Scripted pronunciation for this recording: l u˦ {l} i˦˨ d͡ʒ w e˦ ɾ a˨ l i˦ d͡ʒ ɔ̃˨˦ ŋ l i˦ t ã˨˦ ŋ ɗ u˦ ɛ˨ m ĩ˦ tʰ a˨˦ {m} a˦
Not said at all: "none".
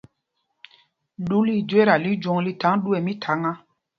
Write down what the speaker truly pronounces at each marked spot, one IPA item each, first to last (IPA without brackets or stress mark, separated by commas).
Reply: l, ŋ